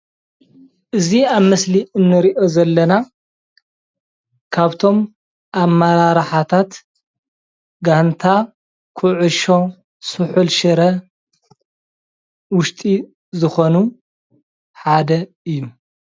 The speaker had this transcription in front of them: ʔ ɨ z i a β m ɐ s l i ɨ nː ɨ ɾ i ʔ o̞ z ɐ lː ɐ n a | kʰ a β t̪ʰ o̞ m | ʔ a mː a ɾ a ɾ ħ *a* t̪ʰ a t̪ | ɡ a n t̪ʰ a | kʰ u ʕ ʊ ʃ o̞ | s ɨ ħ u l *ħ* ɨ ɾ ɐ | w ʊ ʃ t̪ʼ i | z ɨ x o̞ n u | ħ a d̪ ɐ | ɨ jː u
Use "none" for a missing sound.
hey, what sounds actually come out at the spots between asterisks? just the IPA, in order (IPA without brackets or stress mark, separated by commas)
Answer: a, ʃ